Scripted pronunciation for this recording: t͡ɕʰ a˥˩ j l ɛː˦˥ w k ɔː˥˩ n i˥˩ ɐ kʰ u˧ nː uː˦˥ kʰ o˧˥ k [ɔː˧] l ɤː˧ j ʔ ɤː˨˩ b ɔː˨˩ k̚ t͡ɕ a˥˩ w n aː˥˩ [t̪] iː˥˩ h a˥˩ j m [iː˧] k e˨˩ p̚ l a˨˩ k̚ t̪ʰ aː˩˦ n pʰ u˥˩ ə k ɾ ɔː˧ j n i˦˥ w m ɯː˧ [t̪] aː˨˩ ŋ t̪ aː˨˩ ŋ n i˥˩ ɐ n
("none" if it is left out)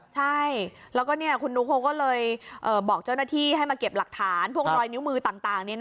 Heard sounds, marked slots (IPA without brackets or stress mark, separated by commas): ɔː˥˩, t̪ʰ, aː˧, t̪